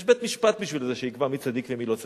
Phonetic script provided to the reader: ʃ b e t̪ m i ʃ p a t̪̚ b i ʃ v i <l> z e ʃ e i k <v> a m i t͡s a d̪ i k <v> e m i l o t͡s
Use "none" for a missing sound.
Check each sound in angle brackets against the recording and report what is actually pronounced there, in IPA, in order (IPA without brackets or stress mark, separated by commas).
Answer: l, v, v